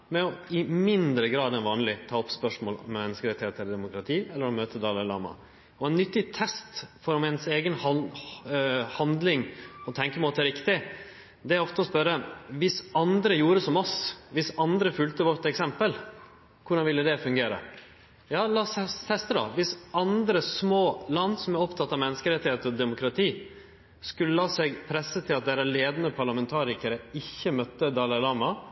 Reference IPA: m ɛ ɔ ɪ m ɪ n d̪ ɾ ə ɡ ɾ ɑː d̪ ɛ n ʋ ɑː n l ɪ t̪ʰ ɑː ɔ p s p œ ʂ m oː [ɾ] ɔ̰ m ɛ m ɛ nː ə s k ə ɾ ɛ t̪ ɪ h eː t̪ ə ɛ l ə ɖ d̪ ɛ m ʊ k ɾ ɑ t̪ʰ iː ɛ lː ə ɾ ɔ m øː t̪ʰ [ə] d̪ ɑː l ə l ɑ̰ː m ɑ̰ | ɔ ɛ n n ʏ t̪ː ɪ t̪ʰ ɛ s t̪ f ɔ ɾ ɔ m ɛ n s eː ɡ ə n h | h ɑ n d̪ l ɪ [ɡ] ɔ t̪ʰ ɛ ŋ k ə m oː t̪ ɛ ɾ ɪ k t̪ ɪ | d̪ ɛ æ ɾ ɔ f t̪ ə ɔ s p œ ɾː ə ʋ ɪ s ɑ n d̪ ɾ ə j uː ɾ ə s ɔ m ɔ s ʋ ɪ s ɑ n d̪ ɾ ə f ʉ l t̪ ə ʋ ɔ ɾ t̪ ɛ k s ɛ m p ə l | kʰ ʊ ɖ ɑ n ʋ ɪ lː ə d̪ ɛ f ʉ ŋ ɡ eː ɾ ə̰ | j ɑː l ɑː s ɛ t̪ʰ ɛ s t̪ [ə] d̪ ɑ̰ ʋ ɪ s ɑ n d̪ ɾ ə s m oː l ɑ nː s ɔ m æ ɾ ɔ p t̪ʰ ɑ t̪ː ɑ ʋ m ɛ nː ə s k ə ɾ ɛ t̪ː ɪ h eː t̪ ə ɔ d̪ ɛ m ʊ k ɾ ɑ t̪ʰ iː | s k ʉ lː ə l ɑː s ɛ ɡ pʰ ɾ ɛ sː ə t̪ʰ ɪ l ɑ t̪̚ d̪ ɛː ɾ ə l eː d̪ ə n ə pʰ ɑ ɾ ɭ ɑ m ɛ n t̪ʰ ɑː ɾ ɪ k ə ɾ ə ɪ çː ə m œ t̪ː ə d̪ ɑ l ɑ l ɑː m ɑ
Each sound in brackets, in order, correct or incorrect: incorrect: l, correct, incorrect: ŋ, correct

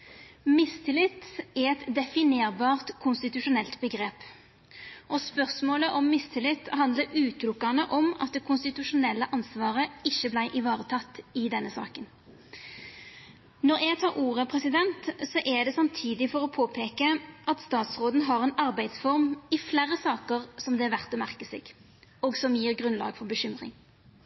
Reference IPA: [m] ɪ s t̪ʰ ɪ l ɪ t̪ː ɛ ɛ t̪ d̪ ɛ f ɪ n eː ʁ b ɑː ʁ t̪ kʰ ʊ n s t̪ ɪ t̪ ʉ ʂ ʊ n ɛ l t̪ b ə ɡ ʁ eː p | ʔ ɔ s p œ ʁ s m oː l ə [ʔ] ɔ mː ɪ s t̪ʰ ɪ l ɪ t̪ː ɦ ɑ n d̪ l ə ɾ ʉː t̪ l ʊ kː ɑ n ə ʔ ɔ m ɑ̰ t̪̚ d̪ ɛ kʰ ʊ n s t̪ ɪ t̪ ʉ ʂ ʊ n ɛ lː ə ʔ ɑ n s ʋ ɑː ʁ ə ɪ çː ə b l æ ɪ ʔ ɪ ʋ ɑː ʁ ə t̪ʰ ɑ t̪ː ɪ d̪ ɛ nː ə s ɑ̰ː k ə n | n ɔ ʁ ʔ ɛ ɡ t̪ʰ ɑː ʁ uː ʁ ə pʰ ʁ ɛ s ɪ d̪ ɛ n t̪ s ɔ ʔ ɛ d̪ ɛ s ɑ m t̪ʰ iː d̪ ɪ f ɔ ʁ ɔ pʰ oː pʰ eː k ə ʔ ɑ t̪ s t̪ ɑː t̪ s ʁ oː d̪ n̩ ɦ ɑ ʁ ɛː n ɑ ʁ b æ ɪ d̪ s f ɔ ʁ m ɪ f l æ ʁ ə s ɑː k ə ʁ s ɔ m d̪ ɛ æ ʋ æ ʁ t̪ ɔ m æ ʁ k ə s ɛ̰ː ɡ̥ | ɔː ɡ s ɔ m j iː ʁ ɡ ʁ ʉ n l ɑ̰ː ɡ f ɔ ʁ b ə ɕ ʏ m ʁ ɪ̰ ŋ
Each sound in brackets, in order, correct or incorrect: correct, correct

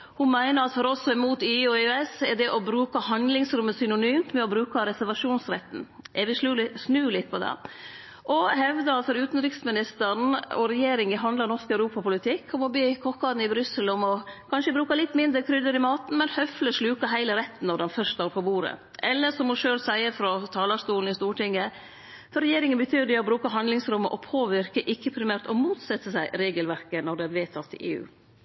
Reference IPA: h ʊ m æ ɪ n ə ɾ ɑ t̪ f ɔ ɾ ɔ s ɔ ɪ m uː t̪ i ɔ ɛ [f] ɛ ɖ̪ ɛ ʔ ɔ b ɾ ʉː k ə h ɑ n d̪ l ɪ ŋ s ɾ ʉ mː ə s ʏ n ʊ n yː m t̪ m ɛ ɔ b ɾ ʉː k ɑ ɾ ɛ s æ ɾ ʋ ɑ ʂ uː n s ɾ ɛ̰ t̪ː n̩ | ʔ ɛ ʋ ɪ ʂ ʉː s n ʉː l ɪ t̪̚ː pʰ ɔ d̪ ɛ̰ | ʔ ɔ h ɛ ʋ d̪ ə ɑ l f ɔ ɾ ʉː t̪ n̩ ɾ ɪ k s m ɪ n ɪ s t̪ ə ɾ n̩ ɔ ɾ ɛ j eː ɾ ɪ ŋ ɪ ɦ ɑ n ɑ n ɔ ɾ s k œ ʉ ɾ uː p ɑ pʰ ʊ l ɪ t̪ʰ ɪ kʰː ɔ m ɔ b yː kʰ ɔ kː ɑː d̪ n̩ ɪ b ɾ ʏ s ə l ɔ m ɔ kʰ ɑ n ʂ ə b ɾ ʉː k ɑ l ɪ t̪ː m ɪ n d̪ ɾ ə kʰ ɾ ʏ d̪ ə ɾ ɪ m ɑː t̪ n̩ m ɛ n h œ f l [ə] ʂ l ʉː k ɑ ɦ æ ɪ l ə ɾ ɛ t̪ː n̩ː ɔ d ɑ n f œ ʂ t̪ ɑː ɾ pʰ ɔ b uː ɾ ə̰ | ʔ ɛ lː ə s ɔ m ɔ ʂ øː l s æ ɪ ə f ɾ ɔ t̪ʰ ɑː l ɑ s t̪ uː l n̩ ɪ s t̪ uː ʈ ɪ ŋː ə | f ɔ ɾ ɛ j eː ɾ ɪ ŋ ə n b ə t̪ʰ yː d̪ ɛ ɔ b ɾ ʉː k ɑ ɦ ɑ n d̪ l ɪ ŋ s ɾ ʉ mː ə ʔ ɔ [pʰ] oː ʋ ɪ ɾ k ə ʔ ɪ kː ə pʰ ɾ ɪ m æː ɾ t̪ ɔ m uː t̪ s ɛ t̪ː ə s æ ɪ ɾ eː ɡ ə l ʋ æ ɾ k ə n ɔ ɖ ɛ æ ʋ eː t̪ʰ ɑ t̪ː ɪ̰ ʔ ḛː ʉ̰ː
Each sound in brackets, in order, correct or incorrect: incorrect: s, correct, correct

